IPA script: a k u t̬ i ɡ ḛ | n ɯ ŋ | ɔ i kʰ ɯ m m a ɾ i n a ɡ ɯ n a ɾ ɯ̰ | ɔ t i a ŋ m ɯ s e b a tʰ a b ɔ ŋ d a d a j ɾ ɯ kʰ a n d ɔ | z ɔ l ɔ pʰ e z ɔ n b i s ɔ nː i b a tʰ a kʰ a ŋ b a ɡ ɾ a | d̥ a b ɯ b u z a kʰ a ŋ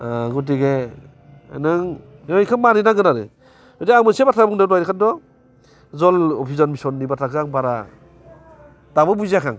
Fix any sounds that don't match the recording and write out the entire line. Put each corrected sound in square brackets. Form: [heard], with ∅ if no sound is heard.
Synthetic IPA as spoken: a [ɡ] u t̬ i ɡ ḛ | n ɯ ŋ | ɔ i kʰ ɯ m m a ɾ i n a ɡ ɯ n a ɾ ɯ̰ | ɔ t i a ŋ m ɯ s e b a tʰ a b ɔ ŋ d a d a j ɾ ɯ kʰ a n d ɔ | z ɔ l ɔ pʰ [i] z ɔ n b i s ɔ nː i b a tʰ a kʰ a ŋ b a [∅] ɾ a | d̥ a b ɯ b u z a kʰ a ŋ